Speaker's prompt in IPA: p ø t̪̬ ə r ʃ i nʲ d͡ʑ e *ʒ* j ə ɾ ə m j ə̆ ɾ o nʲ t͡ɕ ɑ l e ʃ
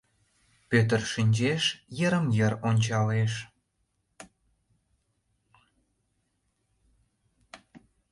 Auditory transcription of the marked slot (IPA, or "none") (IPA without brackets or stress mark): ʃ